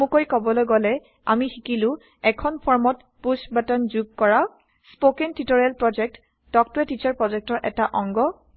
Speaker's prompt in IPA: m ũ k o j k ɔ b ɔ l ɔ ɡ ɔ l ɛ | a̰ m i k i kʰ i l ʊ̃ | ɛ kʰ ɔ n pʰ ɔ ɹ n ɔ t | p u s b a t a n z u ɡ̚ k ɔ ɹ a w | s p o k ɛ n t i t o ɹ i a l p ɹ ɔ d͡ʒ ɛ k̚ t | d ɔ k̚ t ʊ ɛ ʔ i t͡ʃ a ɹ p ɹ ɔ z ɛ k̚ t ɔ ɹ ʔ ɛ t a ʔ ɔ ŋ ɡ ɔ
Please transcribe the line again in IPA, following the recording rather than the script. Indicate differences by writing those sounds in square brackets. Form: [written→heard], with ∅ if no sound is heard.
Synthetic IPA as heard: m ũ k o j k ɔ b ɔ l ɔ ɡ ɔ l ɛ | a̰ m i [k→x] i [kʰ→k] i l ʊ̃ | ɛ kʰ ɔ n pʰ ɔ ɹ [n→m] ɔ t | p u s b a t a n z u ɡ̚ k ɔ ɹ a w | s p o k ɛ n t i t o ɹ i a l p ɹ ɔ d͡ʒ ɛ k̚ t | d ɔ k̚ t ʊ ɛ [ʔ→t] i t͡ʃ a ɹ p ɹ ɔ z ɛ k̚ t ɔ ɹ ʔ ɛ t a ʔ ɔ ŋ ɡ ɔ

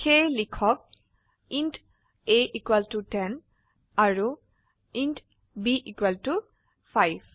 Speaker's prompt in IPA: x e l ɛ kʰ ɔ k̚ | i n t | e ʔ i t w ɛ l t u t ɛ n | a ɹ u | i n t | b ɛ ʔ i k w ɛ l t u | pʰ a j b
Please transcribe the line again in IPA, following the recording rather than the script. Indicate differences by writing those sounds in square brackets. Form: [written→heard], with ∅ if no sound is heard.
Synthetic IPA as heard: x e l [ɛ→i] kʰ ɔ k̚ | i n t | e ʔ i [t→k] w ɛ l t u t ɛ n | a ɹ u | i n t | b [ɛ→i] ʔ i k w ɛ l t u | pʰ a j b

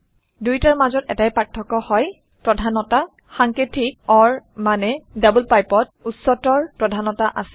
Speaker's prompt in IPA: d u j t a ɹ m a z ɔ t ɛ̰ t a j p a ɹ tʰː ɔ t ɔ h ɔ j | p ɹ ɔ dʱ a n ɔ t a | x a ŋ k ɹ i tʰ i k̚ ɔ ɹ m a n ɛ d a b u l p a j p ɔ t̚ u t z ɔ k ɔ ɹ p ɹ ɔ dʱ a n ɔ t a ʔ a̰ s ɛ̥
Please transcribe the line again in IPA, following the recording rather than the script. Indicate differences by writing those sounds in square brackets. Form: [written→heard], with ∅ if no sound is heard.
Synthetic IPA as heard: d u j t a ɹ m a z ɔ t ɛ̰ t a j p a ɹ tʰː ɔ [t→k] ɔ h ɔ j | p ɹ ɔ dʱ a n ɔ t a | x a ŋ k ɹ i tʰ i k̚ ɔ ɹ m a n ɛ d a b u l p a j p ɔ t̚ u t [z→s] ɔ [k→t] ɔ ɹ p ɹ ɔ dʱ a n ɔ t a ʔ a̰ s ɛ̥

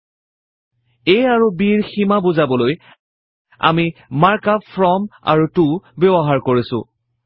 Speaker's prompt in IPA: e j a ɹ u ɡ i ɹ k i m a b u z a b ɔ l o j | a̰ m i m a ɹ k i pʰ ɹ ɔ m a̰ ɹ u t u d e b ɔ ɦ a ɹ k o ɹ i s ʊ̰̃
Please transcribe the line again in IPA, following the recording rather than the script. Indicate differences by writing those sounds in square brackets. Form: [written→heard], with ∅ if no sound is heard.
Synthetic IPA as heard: e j a ɹ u [ɡ→b] i ɹ [k→x] i m a b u z a b ɔ l o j | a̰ m i m a ɹ k [i→a] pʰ ɹ ɔ m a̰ ɹ u t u [d→b] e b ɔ ɦ a ɹ k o ɹ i s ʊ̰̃

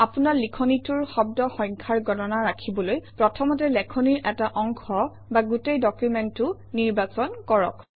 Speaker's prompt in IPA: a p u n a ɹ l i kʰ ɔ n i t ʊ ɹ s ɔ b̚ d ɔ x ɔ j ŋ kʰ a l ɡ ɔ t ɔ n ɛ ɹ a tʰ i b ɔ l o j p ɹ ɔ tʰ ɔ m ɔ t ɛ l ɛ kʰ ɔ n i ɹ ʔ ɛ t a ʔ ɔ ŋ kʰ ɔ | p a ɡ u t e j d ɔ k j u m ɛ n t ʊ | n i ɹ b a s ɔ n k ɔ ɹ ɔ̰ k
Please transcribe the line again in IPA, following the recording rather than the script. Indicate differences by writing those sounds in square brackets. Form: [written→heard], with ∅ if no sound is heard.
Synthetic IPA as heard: a p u n a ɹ l i kʰ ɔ n i t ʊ ɹ [s→x] ɔ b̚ d ɔ x ɔ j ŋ kʰ a [l→ɹ] ɡ ɔ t ɔ n [ɛ→a] ɹ a [tʰ→kʰ] i b ɔ l o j p ɹ ɔ tʰ ɔ m ɔ t ɛ l ɛ kʰ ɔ n i ɹ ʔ ɛ t a ʔ ɔ ŋ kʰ ɔ | [p→b] a ɡ u t e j d ɔ k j u m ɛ n t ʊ | n i ɹ b a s ɔ n k ɔ ɹ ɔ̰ k

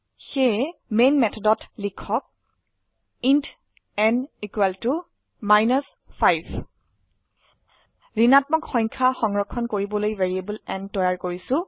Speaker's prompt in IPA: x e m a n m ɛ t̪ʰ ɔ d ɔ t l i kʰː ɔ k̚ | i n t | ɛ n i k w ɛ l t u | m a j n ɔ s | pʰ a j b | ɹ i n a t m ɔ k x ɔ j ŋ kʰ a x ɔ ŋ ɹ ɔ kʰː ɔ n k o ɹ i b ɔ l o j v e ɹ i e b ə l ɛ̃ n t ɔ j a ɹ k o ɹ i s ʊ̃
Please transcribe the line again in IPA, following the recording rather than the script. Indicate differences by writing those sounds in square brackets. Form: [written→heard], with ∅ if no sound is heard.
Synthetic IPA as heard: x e m [a→e] n m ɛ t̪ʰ ɔ d ɔ t l i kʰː ɔ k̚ | i n t | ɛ n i k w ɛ l t u | m a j n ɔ s | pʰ a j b | ɹ i n a t m ɔ k x ɔ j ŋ kʰ a x ɔ ŋ ɹ ɔ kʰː ɔ n k o ɹ i b ɔ l o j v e ɹ i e b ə l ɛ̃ n t ɔ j a ɹ k o ɹ i s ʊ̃

